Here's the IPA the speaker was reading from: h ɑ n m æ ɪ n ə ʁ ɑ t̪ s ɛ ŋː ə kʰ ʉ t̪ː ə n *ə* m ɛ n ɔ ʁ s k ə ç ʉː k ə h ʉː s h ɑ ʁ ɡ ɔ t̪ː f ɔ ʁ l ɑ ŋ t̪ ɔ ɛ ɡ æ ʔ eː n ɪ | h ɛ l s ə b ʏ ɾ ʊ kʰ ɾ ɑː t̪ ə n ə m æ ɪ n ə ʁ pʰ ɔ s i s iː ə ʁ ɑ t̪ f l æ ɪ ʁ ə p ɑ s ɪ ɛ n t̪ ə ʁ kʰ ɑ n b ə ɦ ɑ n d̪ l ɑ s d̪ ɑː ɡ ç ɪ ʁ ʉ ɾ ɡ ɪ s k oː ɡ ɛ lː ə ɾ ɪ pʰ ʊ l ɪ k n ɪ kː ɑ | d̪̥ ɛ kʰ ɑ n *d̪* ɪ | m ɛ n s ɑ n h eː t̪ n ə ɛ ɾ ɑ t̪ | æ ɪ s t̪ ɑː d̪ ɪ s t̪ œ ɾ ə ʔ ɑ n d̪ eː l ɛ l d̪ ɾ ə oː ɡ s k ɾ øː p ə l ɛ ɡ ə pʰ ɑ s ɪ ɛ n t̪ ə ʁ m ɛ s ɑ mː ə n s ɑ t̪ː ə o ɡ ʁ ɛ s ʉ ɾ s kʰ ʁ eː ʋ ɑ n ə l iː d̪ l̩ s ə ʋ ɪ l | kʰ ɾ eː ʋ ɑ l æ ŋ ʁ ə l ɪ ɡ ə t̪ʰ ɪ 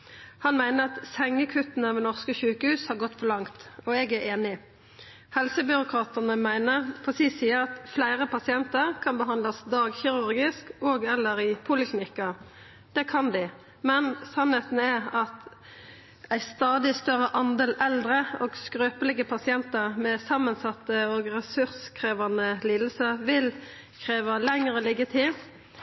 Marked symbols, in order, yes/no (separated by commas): yes, yes